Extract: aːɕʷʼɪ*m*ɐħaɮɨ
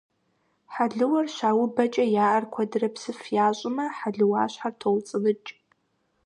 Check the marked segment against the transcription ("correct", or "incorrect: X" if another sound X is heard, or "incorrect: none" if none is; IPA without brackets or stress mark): correct